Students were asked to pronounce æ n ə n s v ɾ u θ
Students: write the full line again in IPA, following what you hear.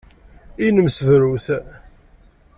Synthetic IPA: i n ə m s v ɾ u θ